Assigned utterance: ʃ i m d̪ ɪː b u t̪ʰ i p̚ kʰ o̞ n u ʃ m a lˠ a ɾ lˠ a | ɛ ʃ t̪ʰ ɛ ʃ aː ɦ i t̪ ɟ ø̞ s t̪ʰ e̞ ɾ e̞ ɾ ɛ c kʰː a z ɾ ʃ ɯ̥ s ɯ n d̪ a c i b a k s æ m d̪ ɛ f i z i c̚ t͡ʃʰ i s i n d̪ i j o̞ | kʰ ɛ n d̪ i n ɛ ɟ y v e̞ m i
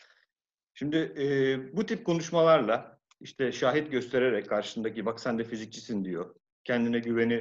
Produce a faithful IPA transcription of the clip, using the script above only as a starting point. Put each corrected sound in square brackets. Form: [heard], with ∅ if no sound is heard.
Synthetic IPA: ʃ i m d̪ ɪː b u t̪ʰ i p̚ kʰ o̞ n u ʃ m a lˠ a ɾ lˠ a | [i] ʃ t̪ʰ ɛ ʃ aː ɦ i t̪ ɟ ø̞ s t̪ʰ e̞ ɾ e̞ ɾ ɛ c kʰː a [∅] ɾ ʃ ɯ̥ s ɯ n d̪ a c i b a k s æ [n] d̪ ɛ f i z i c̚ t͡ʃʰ i s i n d̪ i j o̞ | [cʰ] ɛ n d̪ i n ɛ ɟ y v e̞ [n] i